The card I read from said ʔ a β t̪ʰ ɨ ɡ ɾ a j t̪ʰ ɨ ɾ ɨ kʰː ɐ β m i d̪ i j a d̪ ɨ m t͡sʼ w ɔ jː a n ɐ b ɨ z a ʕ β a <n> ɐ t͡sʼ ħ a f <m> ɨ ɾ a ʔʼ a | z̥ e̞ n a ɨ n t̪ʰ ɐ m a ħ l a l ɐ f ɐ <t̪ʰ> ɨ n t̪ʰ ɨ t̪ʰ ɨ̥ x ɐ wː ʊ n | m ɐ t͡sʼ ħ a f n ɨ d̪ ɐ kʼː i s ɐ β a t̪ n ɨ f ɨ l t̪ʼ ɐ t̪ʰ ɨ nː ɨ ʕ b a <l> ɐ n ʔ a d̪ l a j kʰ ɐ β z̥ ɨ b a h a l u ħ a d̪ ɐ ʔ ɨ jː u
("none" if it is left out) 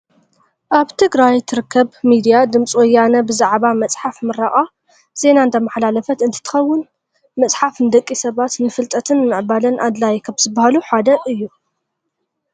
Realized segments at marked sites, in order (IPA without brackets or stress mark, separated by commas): m, m, t̪, l